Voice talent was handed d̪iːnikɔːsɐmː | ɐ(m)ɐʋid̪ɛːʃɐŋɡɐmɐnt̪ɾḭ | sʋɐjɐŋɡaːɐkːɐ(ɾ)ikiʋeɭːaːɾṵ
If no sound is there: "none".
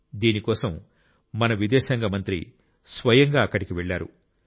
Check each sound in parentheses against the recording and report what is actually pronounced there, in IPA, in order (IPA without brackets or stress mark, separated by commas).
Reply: n, ɽ